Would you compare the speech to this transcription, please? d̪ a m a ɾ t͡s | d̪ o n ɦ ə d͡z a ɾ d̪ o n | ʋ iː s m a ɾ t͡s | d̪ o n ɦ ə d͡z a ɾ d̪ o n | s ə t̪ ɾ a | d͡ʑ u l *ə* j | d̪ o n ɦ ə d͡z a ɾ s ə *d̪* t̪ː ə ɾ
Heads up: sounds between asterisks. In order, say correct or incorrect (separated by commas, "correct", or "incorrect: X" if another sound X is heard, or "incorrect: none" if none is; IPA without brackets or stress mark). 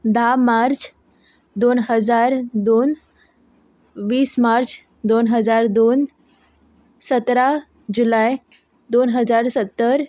incorrect: a, incorrect: none